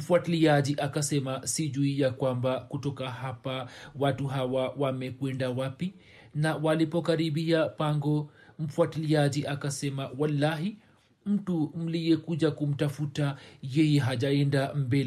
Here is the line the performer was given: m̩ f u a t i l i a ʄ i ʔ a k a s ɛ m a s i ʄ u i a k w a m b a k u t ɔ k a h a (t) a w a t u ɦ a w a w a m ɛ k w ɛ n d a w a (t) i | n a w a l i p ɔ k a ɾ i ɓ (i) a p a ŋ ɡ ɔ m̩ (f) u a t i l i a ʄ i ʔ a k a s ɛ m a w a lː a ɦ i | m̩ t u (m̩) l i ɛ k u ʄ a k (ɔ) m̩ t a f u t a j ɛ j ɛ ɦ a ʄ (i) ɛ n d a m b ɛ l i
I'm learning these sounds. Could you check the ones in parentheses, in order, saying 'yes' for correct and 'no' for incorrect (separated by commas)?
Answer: no, no, yes, yes, yes, no, no